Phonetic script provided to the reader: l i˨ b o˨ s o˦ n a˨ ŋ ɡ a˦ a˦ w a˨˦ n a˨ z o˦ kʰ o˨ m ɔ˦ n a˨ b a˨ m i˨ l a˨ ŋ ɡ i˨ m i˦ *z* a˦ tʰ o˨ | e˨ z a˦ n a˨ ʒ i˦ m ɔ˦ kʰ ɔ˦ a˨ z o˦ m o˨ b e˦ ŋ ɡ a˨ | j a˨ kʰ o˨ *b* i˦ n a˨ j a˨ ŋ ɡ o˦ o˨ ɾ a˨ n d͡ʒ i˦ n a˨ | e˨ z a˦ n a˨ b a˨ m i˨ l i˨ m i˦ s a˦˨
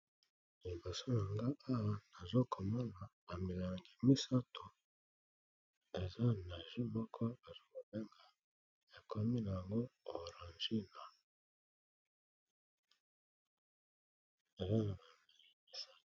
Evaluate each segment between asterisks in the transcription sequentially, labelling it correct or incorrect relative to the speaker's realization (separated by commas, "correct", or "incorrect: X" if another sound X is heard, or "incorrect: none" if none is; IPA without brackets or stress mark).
incorrect: s, incorrect: m